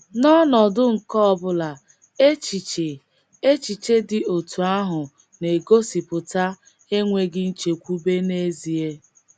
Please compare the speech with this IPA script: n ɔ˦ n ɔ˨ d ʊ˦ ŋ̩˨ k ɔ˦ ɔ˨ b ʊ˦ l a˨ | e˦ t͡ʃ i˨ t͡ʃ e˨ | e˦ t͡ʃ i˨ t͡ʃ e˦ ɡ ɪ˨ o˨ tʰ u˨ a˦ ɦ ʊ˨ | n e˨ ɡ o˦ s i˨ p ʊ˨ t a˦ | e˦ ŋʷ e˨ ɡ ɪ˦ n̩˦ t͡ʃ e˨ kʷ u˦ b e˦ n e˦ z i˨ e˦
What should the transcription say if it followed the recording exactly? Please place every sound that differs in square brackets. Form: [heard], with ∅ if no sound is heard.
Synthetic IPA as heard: n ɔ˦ n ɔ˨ d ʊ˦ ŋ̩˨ k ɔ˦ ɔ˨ b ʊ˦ l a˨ | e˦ t͡ʃ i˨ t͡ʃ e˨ | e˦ t͡ʃ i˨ t͡ʃ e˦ [d] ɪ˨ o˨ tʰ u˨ a˦ ɦ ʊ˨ | n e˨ ɡ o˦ s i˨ p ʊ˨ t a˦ | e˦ ŋʷ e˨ ɡ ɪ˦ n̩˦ t͡ʃ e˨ kʷ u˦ b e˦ n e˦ z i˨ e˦